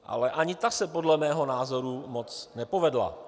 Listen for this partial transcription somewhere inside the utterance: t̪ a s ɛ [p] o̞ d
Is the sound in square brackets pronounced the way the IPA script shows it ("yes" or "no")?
yes